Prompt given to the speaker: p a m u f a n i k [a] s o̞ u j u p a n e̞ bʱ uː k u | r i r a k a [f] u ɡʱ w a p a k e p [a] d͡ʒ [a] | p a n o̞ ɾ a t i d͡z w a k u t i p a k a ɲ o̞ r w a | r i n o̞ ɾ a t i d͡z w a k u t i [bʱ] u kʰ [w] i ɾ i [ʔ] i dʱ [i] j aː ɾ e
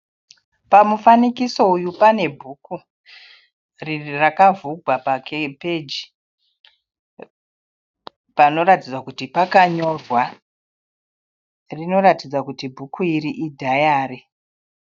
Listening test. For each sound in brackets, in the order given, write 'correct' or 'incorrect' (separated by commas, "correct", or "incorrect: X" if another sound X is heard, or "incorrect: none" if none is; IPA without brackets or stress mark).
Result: incorrect: i, incorrect: v, incorrect: e, incorrect: i, correct, incorrect: u, correct, incorrect: a